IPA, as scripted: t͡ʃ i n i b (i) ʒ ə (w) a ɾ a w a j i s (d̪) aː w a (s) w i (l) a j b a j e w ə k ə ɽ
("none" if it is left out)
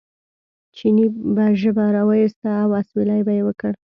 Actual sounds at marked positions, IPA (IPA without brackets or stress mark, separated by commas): a, b, t̪, s, l